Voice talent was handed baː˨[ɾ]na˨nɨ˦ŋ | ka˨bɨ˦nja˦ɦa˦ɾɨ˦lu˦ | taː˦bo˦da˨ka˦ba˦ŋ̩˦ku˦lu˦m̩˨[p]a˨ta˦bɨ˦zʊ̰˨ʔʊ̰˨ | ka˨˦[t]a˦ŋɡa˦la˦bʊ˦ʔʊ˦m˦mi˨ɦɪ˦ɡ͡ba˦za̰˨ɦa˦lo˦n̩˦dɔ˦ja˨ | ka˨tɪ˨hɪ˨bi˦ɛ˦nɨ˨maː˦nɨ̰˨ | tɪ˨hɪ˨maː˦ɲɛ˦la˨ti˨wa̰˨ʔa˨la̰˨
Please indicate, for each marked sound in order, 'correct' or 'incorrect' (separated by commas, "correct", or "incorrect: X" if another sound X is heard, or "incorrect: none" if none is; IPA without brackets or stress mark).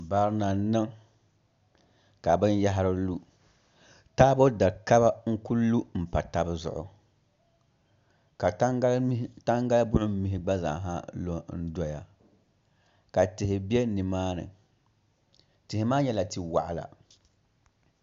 correct, correct, correct